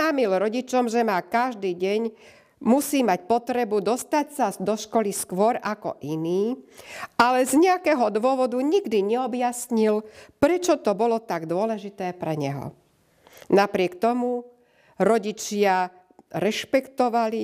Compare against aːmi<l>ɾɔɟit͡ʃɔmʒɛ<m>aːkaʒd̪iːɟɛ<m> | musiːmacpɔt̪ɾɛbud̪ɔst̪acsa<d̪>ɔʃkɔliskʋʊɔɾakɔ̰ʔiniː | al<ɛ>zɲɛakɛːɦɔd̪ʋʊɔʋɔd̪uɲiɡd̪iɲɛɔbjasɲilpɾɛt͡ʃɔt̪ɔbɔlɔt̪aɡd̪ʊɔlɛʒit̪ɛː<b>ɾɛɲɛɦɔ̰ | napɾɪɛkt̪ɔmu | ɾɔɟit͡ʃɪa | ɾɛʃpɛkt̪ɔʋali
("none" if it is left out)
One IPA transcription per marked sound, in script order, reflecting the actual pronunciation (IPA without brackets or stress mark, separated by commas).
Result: l, m, ɲ, d̪, ɛ, p